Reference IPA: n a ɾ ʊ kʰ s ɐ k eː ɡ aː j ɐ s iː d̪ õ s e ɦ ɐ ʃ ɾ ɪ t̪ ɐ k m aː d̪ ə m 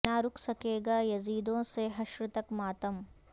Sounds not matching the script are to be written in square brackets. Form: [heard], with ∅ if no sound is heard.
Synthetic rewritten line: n a ɾ ʊ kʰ s ɐ k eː ɡ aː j ɐ [z] iː d̪ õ s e ɦ ɐ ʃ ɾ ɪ t̪ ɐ k m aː [t̪] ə m